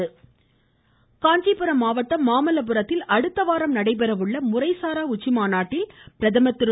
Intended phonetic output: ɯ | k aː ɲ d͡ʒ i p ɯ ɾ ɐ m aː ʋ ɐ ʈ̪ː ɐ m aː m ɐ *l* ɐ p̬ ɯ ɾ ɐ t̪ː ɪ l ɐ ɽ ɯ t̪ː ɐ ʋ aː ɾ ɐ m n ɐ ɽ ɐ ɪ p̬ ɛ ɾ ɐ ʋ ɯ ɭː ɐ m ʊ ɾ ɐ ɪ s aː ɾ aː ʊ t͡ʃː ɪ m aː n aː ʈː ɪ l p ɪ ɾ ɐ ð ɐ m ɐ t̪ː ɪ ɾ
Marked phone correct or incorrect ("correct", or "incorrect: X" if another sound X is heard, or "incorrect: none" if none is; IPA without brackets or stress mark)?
correct